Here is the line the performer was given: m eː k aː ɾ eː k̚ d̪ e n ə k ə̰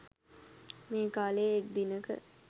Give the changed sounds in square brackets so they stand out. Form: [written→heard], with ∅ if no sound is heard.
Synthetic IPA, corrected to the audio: m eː k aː [ɾ→l] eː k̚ d̪ [e→i] n ə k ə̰